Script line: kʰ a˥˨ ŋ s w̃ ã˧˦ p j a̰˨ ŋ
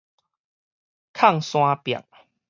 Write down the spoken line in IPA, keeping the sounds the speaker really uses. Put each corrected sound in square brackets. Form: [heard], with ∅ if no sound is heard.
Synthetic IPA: kʰ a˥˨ ŋ s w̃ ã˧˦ p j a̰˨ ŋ

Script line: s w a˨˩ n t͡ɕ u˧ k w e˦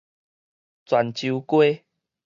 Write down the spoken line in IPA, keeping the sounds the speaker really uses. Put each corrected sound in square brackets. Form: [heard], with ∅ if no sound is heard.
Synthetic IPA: [t͡s] w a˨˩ n t͡ɕ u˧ k w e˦

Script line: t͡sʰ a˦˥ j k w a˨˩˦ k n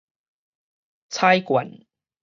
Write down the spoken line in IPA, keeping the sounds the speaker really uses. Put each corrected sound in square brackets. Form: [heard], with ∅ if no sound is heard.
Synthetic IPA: t͡sʰ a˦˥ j k w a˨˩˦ [∅] n

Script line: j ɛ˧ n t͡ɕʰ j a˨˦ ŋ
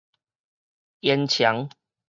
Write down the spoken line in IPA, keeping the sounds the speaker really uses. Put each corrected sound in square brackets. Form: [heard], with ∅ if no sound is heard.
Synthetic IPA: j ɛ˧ n t͡ɕʰ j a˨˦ ŋ

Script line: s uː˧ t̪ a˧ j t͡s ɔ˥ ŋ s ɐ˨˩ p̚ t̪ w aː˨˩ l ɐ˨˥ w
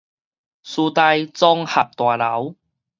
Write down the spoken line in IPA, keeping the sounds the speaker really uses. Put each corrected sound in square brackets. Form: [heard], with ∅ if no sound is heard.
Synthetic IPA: s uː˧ t̪ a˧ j t͡s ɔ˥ ŋ [h] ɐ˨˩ p̚ t̪ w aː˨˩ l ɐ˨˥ w

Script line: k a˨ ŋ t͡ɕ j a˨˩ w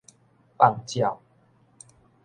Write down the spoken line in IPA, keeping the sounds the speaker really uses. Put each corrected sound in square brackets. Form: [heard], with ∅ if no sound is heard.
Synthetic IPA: [p] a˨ ŋ t͡ɕ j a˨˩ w

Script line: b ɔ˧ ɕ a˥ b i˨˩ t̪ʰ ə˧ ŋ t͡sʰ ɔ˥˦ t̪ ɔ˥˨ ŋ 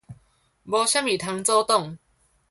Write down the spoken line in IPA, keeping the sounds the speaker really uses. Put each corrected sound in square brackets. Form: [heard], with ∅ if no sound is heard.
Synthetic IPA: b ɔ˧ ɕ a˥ [m] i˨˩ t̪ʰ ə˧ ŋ [t͡s] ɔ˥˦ t̪ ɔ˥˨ ŋ

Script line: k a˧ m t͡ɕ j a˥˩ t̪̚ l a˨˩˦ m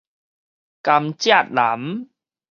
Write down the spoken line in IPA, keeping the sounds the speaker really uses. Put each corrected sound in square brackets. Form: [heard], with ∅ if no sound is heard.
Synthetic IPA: k a˧ m t͡ɕ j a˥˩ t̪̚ l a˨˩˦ m

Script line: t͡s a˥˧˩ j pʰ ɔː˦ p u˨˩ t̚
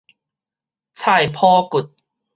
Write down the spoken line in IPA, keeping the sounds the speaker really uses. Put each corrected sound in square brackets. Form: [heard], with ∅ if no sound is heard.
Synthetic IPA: [t͡sʰ] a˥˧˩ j pʰ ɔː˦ [k] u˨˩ t̚

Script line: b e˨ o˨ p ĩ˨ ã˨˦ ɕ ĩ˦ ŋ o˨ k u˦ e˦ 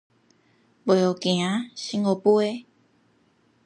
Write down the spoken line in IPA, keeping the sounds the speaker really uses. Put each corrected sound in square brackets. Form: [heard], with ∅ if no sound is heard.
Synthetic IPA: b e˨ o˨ [k] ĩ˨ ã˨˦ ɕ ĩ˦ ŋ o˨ [p] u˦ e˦

